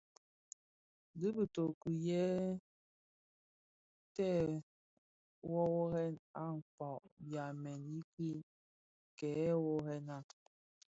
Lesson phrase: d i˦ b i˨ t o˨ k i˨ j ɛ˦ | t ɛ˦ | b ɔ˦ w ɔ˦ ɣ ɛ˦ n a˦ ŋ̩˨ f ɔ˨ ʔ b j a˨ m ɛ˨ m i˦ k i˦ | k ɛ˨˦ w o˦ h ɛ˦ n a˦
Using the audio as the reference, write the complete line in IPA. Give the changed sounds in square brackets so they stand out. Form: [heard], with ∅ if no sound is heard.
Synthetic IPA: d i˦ b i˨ t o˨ k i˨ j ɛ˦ | t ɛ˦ | [w] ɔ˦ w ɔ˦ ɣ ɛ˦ n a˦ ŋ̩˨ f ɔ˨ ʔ b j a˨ m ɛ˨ [n] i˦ k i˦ | k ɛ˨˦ w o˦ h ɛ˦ n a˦